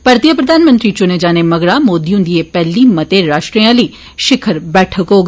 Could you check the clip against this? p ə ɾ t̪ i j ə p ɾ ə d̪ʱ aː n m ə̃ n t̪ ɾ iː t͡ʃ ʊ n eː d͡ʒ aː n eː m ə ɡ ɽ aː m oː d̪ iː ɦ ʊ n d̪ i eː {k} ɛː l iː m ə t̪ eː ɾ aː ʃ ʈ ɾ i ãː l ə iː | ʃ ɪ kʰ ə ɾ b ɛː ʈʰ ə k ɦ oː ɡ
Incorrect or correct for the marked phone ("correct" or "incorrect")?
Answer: incorrect